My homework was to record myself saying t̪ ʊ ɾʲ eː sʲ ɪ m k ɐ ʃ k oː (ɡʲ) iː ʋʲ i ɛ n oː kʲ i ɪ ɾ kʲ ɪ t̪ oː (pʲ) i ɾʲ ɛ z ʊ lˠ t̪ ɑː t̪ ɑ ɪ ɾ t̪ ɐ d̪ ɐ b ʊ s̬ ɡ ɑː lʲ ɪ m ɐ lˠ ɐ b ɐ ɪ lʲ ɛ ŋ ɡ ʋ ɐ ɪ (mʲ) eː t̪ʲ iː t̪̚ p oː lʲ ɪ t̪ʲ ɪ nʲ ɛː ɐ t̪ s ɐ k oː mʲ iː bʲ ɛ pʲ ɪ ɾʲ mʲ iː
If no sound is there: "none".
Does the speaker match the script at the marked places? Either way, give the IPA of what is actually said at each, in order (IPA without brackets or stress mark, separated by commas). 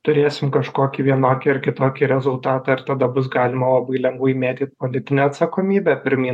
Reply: kʲ, kʲ, mʲ